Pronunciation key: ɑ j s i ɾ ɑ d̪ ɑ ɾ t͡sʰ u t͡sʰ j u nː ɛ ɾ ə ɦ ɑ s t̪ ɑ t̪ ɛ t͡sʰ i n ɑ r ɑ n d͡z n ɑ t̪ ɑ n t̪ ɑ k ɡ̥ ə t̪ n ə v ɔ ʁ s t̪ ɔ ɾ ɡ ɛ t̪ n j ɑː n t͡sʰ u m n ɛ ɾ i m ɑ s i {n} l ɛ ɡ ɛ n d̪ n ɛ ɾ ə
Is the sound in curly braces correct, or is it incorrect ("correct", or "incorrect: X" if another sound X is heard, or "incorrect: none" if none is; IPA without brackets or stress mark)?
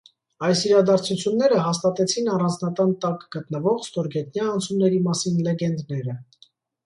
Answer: correct